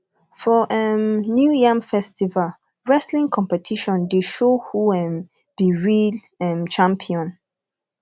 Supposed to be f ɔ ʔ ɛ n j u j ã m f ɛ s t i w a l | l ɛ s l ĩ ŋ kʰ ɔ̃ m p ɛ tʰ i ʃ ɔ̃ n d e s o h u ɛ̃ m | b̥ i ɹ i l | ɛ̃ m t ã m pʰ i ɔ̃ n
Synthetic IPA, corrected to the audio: f ɔ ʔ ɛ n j u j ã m f ɛ s t i v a l | ɹ ɛ s l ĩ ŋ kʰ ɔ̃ m p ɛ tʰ i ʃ ɔ̃ n d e ʃ o h u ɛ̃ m | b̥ i ɹ i l | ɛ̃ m t͡ʃ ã m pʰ i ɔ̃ n